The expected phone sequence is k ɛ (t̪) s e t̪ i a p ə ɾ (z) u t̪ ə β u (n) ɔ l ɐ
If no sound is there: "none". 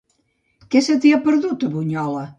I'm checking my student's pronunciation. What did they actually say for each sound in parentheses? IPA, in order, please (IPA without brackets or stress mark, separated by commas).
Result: none, ð, ɲ